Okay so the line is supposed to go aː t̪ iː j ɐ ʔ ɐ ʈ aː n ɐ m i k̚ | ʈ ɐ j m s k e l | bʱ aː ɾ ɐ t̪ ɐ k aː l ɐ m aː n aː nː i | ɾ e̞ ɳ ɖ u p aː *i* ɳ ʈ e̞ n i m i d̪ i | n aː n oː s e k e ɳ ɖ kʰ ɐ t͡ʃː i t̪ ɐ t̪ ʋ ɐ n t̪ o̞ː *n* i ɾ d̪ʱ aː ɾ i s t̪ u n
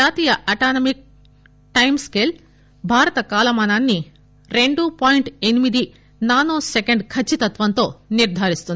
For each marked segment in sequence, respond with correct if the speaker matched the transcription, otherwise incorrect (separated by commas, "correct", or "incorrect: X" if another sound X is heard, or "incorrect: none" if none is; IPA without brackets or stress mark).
incorrect: j, correct